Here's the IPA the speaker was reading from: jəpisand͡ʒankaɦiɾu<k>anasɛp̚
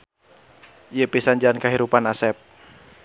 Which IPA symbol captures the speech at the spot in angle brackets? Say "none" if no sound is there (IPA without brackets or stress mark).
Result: p